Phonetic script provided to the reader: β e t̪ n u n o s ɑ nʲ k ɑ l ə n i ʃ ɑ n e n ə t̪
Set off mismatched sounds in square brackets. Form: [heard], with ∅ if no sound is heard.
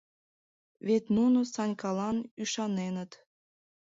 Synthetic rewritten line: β e t̪ n u n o s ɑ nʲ k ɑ l [ɑ] n [y] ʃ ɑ n e n ə t̪